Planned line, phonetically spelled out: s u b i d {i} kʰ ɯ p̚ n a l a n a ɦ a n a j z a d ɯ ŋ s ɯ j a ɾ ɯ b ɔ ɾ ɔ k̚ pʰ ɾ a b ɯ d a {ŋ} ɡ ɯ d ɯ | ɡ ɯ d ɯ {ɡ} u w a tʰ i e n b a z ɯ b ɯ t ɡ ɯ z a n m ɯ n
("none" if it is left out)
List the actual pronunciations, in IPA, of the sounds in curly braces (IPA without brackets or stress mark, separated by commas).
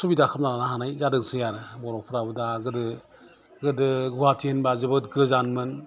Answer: a, none, ɡ